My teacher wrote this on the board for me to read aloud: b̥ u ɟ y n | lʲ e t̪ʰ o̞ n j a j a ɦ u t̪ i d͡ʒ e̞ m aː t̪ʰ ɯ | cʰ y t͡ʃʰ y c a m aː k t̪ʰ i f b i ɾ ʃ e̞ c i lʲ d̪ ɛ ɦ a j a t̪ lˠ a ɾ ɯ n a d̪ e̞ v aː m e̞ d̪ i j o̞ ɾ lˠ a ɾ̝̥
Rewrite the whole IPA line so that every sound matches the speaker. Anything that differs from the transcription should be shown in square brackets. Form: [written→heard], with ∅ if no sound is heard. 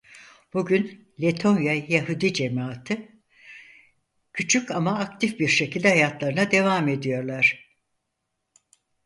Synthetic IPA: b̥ u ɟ y n | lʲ e t̪ʰ o̞ n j a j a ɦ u [t̪→d̪] i d͡ʒ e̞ m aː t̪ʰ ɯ | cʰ y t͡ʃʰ y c a m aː k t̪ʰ i f b i ɾ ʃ e̞ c i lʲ d̪ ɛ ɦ a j a t̪ lˠ a ɾ ɯ n a d̪ e̞ v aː m e̞ d̪ i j o̞ ɾ lˠ a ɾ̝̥